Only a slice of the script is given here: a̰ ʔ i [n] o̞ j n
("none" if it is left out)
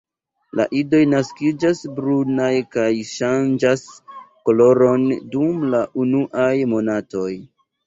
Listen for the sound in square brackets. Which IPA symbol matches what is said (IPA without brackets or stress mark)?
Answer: d